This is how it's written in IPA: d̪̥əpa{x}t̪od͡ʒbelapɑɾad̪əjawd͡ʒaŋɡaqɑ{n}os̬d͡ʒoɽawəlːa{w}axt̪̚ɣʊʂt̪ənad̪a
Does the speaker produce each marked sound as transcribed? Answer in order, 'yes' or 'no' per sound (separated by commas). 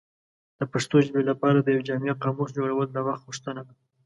no, no, yes